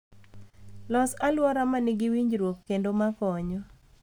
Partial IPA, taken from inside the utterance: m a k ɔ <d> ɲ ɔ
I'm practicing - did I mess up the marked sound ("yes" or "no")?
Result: yes